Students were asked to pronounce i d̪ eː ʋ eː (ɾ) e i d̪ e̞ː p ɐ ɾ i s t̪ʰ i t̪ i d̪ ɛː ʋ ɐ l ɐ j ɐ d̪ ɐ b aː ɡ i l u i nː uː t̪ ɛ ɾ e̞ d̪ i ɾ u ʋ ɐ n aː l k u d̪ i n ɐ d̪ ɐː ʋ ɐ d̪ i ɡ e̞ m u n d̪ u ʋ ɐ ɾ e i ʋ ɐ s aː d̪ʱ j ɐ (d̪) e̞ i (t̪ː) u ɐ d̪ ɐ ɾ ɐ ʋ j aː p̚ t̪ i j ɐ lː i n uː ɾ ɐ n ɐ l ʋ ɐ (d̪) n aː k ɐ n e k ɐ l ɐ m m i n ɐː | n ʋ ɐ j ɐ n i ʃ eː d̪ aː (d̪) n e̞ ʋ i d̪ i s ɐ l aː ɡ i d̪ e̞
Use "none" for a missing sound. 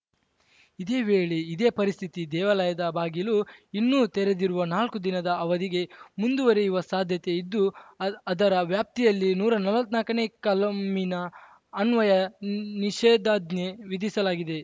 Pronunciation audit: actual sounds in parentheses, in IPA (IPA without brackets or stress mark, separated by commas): ɭ, t̪, d̪ː, t̪, d̪